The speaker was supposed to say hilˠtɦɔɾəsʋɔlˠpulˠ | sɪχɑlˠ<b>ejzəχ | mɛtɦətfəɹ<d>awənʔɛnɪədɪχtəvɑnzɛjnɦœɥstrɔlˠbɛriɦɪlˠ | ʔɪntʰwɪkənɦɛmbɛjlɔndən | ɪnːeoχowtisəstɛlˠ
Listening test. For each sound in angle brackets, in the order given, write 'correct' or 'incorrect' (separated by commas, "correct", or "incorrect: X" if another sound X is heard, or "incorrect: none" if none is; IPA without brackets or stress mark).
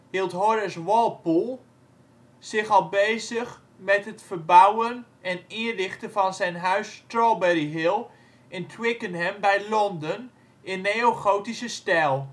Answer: correct, incorrect: b